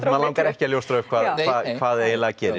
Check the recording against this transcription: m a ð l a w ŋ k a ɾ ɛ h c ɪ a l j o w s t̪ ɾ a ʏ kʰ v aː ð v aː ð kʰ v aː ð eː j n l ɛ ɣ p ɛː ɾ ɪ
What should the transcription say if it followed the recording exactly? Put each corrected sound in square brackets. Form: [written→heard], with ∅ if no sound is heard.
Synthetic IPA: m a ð l a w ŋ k a ɾ ɛ h c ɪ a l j o w s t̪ ɾ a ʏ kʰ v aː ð v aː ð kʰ v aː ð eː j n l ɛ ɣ [p→c] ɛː ɾ ɪ